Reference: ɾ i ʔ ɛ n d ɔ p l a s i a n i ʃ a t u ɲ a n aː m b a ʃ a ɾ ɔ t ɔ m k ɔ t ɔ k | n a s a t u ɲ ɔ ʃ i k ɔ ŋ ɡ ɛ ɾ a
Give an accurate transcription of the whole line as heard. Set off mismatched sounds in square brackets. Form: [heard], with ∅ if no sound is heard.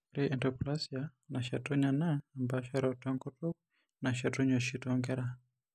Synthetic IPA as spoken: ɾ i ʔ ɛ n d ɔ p l a s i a n [a] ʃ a t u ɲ a n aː m b a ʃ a ɾ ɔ t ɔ [ŋ] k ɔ t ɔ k | n a [ʃ] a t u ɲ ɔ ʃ i [t] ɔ ŋ ɡ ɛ ɾ a

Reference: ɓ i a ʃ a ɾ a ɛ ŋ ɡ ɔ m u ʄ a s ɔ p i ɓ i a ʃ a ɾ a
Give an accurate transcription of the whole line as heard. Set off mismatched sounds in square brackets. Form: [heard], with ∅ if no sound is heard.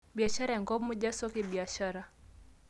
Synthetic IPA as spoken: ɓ i a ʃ a ɾ a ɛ ŋ ɡ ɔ m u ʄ a s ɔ [k] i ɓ i a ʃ a ɾ a

